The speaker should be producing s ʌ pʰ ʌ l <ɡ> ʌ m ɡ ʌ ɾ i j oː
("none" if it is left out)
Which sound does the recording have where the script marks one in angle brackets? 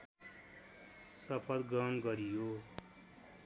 ɡ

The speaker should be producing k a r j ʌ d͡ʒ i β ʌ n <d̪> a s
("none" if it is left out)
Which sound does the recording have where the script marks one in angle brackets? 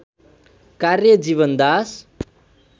d̪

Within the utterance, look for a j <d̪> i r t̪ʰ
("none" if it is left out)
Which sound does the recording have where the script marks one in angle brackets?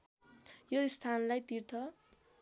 t̪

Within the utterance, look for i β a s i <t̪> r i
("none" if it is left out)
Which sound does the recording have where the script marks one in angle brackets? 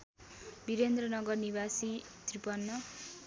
t̪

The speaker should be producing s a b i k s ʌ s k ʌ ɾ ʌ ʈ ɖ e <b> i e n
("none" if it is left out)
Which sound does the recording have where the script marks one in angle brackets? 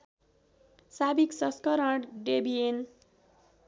b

